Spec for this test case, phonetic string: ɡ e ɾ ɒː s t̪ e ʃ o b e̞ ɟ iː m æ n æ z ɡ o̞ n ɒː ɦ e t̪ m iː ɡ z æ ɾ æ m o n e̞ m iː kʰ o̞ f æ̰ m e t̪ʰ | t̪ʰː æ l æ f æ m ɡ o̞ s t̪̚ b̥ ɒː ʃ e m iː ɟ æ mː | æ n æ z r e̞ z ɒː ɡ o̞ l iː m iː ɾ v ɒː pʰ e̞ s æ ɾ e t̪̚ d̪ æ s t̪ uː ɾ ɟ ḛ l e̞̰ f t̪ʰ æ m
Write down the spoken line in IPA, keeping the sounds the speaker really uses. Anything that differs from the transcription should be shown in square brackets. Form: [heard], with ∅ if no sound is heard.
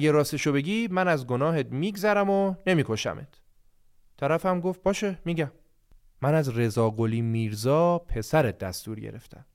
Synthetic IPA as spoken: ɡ e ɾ ɒː s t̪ e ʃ o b e̞ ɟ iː m æ n æ z ɡ o̞ n ɒː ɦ e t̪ m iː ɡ z æ ɾ æ m o n e̞ m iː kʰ o̞ [ʃ] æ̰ m e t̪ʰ | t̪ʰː æ [ɾ] æ f æ m ɡ o̞ [f] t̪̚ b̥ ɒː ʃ e m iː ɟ æ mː | æ n æ z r e̞ z ɒː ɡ o̞ l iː m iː ɾ [z] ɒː pʰ e̞ s æ ɾ e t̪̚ d̪ æ s t̪ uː ɾ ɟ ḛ [ɾ] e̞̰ f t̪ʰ æ m